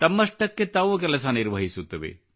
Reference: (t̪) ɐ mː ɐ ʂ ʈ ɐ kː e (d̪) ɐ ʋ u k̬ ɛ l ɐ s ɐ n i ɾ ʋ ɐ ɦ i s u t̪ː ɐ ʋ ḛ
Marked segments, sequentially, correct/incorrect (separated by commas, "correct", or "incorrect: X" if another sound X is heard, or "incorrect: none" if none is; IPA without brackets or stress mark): correct, incorrect: t̪